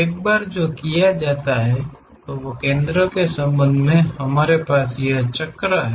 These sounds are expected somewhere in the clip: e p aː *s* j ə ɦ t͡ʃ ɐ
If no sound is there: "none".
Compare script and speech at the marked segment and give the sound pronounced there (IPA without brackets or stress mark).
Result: s